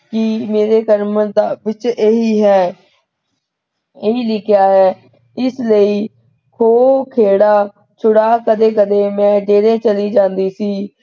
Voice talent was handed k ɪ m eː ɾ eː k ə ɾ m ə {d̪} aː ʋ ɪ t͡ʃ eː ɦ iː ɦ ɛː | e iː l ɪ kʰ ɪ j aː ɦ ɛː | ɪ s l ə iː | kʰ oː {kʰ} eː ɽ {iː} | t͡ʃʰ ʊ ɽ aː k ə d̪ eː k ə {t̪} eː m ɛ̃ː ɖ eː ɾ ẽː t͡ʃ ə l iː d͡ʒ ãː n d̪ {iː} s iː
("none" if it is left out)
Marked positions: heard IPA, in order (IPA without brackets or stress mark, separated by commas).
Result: d̪, kʰ, aː, d̪, iː